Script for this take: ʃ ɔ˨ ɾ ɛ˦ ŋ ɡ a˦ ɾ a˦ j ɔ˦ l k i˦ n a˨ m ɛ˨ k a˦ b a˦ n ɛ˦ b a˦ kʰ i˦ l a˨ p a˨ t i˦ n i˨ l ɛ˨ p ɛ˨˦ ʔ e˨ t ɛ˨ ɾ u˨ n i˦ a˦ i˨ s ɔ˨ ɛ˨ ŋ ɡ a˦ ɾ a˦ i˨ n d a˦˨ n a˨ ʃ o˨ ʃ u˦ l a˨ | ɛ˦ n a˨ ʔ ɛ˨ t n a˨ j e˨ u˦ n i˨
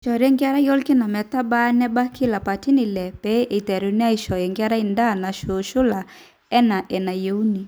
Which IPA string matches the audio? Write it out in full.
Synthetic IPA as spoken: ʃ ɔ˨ ɾ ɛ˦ ŋ ɡ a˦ ɾ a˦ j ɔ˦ l k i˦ n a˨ m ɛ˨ t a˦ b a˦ n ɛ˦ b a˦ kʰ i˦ l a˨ p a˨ t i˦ n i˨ l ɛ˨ p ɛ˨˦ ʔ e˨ t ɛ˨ ɾ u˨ n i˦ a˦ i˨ ʃ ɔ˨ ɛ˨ ŋ ɡ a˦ ɾ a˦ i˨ n d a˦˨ n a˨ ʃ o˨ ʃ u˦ l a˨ | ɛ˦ n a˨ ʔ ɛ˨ n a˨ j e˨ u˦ n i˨